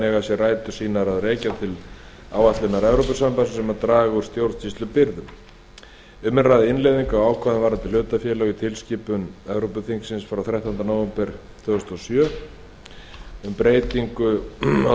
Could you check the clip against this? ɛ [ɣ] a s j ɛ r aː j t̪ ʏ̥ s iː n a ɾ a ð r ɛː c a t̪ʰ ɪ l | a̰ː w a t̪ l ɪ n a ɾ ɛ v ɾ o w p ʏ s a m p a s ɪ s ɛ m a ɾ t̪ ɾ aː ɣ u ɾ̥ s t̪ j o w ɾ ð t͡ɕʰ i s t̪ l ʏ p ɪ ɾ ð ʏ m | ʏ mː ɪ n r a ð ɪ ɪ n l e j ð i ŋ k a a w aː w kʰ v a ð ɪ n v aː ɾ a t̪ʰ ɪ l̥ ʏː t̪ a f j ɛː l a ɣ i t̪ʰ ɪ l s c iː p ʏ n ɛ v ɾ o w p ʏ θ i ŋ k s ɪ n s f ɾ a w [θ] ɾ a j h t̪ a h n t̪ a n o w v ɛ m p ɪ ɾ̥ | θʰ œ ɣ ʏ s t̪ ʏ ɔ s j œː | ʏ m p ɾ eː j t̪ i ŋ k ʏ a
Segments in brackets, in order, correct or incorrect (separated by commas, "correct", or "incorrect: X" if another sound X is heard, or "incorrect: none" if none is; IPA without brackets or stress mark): correct, correct